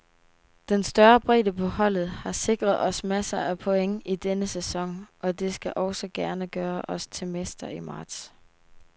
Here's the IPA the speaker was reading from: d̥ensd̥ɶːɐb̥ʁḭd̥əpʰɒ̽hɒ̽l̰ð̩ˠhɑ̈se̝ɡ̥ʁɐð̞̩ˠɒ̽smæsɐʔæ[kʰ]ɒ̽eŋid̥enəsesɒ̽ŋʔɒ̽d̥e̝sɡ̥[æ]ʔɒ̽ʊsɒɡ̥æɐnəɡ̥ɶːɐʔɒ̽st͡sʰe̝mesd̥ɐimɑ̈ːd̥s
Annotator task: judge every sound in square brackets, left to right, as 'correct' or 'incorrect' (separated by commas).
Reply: incorrect, correct